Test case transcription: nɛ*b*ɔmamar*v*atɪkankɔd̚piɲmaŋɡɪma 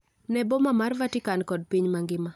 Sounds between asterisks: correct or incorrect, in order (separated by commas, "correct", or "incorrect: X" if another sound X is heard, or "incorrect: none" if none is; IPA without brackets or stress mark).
correct, correct